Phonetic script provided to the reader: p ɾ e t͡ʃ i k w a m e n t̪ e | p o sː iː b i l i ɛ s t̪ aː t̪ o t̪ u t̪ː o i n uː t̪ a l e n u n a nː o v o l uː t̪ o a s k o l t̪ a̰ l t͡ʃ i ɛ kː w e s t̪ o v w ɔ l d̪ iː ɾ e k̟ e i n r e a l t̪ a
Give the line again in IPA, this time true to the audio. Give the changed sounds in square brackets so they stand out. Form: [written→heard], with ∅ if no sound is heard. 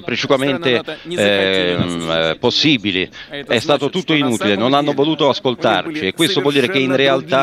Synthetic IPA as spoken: p ɾ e t͡ʃ i k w a m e n t̪ e | p o sː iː b i l i ɛ s t̪ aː t̪ o t̪ u t̪ː o i n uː t̪ [a→i] l e n [u→o] n a nː o v o l uː t̪ o a s k o l t̪ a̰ [l→r] t͡ʃ i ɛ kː w e s t̪ o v w ɔ l d̪ iː ɾ e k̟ e i n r e a l t̪ a